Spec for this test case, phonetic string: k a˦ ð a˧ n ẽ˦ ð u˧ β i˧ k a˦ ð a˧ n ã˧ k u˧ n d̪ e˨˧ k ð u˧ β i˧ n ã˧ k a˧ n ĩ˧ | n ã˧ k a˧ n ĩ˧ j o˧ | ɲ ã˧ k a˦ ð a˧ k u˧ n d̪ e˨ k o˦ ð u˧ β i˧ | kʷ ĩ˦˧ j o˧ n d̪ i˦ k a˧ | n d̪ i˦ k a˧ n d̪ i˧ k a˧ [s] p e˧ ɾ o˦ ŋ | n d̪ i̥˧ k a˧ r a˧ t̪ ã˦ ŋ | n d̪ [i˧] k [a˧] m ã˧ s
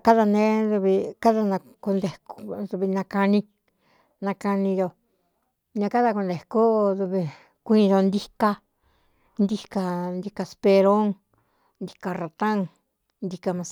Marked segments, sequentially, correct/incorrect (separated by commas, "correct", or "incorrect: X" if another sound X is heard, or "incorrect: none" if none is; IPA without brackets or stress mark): correct, correct, correct